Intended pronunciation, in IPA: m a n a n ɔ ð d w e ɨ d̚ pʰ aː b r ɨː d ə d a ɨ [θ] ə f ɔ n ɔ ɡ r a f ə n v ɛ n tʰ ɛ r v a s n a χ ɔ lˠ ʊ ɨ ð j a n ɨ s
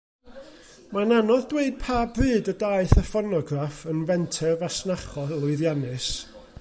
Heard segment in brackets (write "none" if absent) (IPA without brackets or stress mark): θ